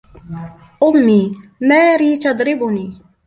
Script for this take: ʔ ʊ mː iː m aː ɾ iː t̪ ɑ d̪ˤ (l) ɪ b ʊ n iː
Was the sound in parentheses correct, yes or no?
no